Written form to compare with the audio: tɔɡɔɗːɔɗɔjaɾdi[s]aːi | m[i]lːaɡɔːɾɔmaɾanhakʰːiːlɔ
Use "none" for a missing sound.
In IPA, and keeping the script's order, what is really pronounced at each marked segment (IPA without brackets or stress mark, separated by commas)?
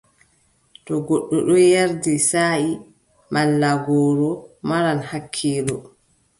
s, a